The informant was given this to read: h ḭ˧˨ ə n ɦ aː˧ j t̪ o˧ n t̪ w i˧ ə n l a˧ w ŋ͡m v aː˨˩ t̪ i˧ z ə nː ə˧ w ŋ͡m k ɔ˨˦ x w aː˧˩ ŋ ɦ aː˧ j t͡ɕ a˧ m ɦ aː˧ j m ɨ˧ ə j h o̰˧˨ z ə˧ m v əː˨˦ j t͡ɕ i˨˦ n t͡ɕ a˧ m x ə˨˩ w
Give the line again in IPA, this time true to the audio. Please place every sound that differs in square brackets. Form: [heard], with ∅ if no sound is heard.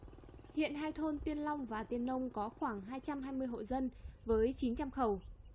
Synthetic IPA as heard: h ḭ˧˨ ə n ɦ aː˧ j [t̪ʰ] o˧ n t̪ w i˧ ə n l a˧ w ŋ͡m v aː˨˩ t̪ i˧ [∅] ə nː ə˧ w ŋ͡m k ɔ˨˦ x w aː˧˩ ŋ ɦ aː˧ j t͡ɕ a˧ m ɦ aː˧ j m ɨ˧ ə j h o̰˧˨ z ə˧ [n] v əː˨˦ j t͡ɕ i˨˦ n t͡ɕ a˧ m x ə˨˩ w